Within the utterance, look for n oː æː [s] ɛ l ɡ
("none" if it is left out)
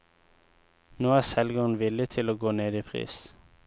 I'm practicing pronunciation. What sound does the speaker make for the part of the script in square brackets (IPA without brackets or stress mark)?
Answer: s